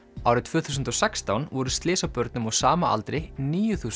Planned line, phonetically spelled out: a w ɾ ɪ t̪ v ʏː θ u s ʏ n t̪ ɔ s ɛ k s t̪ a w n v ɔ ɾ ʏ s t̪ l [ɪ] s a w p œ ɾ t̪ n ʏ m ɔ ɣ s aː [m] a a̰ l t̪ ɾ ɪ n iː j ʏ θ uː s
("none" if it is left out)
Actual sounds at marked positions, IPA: ɪː, m

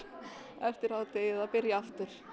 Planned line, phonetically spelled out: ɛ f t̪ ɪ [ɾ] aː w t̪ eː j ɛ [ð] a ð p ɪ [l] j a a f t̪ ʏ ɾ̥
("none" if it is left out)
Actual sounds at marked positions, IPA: ɾ, ð, ɾ

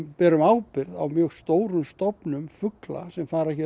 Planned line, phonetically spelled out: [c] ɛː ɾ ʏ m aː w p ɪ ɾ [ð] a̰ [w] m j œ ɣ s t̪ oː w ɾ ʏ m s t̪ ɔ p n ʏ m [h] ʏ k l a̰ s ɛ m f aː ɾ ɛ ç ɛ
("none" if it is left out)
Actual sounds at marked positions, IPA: p, ð, w, f

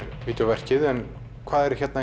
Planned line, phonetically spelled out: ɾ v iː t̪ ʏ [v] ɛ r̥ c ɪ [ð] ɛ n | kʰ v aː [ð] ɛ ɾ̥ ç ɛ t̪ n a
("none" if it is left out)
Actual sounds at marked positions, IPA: v, ð, ð

